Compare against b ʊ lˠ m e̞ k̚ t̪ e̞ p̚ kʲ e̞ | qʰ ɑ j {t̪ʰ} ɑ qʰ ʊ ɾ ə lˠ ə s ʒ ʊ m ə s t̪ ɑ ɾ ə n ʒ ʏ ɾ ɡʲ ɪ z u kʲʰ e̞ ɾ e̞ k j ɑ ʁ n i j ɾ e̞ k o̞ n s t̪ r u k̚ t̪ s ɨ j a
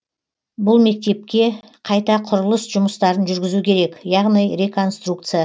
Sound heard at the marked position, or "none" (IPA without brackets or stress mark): t̪